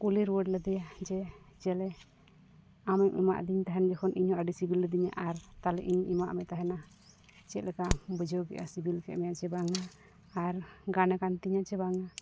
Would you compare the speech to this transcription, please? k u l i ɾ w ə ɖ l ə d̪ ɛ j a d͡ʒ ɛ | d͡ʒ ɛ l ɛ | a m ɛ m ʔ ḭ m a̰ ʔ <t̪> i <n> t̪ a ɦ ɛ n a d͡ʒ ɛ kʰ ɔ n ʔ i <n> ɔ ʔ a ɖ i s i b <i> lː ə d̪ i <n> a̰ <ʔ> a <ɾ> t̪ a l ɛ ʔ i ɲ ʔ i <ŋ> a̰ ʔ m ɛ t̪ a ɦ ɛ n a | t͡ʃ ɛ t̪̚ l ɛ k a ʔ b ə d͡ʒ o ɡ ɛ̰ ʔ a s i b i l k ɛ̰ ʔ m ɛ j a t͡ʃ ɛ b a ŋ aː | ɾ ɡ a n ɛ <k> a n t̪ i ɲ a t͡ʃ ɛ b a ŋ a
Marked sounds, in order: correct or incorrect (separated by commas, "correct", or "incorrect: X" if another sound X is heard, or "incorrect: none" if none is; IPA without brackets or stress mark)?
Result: incorrect: d̪, incorrect: ɲ, incorrect: ɲ, correct, incorrect: ɲ, correct, correct, incorrect: m, correct